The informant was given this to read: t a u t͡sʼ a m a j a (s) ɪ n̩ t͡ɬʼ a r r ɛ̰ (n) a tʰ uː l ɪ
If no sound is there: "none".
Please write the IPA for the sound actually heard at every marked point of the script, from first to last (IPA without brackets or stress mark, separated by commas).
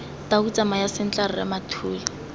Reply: s, m